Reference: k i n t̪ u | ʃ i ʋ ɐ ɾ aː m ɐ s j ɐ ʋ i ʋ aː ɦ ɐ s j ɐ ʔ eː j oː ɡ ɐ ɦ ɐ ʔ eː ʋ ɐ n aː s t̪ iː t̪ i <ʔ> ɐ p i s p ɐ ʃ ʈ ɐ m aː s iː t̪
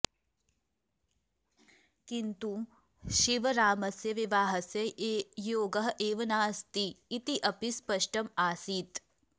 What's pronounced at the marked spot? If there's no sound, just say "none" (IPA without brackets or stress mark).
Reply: ʔ